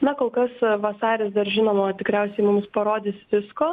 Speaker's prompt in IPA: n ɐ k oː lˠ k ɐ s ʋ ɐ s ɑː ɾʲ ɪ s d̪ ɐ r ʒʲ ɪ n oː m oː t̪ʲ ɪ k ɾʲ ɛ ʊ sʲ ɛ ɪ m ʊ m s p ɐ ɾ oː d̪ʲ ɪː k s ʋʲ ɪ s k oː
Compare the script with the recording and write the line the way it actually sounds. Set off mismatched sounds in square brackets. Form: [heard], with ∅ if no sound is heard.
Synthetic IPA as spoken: n ɐ k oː lˠ k ɐ s ʋ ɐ s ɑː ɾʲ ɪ s d̪ ɐ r ʒʲ ɪ n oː m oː t̪ʲ ɪ k ɾʲ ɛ ʊ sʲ ɛ ɪ m ʊ m s p ɐ ɾ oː d̪ʲ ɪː [∅] s ʋʲ ɪ s k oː